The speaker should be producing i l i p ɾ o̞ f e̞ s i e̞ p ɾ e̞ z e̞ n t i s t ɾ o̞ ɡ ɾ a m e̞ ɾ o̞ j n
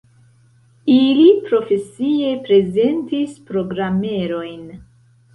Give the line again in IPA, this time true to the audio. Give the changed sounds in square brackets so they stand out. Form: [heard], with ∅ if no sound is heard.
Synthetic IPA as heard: i l i p ɾ o̞ f e̞ s i e̞ p ɾ e̞ z e̞ n t i s [p] ɾ o̞ ɡ ɾ a m e̞ ɾ o̞ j n